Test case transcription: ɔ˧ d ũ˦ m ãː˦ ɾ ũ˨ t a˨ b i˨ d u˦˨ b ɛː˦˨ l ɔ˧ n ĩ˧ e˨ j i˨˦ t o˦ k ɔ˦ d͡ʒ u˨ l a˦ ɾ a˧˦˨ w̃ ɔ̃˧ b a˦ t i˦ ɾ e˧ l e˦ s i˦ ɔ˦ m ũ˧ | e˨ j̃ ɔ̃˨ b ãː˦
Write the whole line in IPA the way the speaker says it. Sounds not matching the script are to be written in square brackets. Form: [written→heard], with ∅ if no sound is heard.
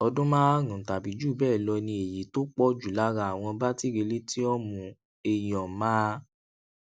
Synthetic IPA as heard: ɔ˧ d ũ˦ m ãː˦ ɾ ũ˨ t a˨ b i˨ [d→d͡ʒ] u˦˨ b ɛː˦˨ l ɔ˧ n ĩ˧ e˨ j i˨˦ t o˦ [k→k͡p] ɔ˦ d͡ʒ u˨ l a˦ ɾ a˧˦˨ w̃ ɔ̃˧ b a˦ t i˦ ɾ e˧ l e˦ [s→t] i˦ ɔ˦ m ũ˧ | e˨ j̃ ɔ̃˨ [b→m] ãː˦

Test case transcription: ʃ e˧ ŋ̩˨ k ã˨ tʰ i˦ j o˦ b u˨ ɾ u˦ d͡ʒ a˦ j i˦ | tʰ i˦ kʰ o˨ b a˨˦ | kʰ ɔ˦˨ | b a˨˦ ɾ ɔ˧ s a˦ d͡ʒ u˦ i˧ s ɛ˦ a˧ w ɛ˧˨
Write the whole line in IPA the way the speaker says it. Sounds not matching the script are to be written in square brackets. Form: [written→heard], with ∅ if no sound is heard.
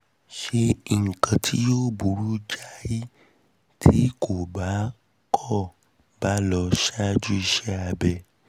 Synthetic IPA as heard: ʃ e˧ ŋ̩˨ k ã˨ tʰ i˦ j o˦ b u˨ ɾ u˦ d͡ʒ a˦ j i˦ | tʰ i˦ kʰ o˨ b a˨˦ | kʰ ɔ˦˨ | b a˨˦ [ɾ→l] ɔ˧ [s→ʃ] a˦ d͡ʒ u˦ i˧ [s→ʃ] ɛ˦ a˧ [w→b] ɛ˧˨

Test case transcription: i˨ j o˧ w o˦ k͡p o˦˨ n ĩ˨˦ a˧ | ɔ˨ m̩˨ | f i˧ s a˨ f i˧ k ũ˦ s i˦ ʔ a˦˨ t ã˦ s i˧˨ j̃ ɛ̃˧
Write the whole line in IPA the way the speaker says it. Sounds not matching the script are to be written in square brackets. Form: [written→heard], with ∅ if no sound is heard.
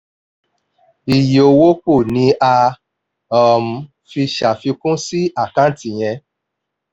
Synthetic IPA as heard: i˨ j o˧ w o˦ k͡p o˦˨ n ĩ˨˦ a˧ | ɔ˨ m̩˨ | f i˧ [s→ʃ] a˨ f i˧ k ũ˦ s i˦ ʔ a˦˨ [t→k] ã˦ [s→t] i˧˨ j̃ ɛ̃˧

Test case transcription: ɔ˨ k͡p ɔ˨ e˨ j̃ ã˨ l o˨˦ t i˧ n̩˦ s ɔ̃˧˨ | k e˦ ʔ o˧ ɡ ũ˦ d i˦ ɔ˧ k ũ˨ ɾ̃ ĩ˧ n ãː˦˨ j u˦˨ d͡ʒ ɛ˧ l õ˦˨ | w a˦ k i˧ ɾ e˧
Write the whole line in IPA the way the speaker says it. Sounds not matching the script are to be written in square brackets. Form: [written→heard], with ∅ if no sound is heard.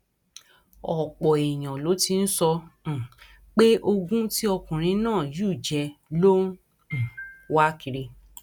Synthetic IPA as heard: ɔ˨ k͡p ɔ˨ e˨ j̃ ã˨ l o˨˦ t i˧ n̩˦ s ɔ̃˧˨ | [k→k͡p] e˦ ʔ o˧ ɡ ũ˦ [d→t] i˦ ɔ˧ k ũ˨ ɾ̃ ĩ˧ n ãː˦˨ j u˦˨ d͡ʒ ɛ˧ l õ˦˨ | w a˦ k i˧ ɾ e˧

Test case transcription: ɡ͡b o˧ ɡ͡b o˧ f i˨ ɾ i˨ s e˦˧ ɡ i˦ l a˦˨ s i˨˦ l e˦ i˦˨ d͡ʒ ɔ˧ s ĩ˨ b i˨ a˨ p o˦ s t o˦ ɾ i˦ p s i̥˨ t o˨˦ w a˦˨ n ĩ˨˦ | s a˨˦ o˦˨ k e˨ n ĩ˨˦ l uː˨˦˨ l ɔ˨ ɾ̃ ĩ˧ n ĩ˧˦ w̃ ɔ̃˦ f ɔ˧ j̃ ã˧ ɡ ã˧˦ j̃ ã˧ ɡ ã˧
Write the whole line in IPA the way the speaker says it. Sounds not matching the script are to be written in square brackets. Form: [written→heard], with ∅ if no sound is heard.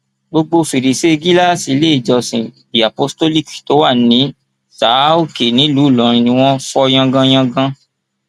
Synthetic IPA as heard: ɡ͡b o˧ ɡ͡b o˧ f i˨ ɾ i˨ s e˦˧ ɡ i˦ l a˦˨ s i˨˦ l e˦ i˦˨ d͡ʒ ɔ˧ s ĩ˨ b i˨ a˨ p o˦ s t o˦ [ɾ→l] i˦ [p→k] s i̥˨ t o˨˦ w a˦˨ n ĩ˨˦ | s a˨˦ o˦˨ k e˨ n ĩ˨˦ l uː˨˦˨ l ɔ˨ ɾ̃ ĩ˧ n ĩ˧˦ w̃ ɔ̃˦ f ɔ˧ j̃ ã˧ ɡ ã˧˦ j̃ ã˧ ɡ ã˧

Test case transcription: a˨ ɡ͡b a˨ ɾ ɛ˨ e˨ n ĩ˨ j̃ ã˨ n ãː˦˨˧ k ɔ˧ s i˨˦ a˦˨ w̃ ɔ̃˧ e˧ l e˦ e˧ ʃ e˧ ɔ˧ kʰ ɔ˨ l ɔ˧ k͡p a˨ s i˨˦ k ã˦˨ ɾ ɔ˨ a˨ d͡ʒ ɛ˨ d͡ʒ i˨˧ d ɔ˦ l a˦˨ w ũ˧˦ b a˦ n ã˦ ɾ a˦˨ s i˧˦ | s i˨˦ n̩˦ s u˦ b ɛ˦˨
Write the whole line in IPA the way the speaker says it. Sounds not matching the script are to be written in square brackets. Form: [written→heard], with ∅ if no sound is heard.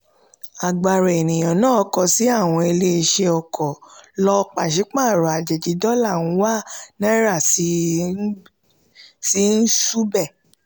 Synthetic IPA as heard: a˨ ɡ͡b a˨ ɾ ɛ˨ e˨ n ĩ˨ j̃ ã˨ n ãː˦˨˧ k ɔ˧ s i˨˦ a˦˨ w̃ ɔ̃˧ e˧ l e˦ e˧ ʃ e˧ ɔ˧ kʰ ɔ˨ l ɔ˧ k͡p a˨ [s→ʃ] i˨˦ [k→k͡p] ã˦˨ ɾ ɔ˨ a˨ d͡ʒ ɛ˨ d͡ʒ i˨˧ d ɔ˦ l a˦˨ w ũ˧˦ [b→w] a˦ n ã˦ ɾ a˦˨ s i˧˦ | s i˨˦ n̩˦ s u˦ b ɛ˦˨

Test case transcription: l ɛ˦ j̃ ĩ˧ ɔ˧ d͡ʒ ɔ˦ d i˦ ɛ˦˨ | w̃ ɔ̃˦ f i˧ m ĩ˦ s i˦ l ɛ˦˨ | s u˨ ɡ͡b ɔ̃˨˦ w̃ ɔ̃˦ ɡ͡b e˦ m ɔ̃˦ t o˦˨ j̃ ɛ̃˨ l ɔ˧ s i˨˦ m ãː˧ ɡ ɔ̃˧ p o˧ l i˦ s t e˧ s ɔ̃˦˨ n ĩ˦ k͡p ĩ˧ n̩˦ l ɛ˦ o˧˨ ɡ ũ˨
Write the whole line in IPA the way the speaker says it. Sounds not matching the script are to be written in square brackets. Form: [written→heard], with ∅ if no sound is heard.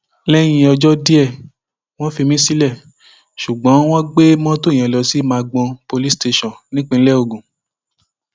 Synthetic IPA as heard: l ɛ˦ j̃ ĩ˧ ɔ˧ d͡ʒ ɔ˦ d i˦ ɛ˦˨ | w̃ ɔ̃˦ f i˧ m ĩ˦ s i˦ l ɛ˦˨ | [s→ʃ] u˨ ɡ͡b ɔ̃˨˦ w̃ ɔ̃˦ ɡ͡b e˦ m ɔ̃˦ t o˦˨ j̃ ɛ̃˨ l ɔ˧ s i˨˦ m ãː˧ [ɡ→ɡ͡b] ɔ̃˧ p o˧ l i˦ s t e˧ [s→ʃ] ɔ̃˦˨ n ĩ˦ k͡p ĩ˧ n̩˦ l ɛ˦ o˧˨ ɡ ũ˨

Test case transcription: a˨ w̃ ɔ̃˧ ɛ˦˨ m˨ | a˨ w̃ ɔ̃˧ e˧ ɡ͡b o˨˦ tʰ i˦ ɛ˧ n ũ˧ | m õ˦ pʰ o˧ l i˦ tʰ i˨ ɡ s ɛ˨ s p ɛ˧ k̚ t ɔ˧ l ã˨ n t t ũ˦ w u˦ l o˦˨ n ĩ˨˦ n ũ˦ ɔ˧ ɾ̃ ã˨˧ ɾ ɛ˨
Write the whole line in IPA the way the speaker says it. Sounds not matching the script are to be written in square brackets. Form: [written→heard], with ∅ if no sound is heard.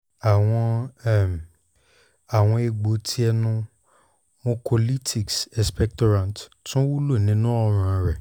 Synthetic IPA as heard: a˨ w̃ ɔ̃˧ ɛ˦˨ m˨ | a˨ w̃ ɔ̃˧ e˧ ɡ͡b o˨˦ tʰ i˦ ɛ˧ n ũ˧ | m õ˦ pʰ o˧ l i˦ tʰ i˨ [ɡ→k] s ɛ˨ s p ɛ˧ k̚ t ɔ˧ [l→ɾ] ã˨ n t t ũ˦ w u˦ l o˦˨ n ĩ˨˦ n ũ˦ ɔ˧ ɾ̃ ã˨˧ ɾ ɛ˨

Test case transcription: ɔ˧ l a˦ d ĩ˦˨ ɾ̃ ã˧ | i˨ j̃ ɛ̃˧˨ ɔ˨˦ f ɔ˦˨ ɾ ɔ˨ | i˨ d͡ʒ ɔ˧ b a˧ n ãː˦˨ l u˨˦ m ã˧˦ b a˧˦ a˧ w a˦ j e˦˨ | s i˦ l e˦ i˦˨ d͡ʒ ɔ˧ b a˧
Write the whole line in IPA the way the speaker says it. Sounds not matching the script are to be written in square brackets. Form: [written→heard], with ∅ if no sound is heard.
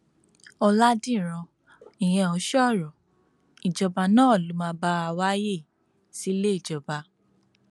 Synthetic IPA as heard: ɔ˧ l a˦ d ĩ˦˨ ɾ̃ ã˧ | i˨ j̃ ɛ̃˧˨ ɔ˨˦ [f→ʃ] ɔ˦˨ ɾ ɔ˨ | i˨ d͡ʒ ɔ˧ b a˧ n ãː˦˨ l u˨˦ m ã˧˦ b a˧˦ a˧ w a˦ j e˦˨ | s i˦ l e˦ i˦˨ d͡ʒ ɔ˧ b a˧

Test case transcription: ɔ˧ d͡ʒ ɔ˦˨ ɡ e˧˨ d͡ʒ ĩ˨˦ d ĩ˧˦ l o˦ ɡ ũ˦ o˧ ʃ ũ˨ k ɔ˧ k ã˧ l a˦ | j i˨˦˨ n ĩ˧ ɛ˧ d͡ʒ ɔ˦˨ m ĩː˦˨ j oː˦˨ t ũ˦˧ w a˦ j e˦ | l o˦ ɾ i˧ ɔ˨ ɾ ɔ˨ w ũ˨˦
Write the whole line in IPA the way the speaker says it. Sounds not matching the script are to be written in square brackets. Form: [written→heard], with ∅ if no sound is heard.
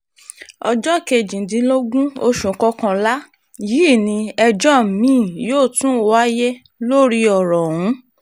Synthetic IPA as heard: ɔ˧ d͡ʒ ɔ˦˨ [ɡ→k] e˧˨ d͡ʒ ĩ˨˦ d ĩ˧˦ l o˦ ɡ ũ˦ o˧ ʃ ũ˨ k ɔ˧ k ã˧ l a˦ | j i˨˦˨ n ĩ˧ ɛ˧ d͡ʒ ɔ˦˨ m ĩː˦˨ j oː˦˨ t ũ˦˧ w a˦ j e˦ | l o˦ ɾ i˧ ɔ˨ ɾ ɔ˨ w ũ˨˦

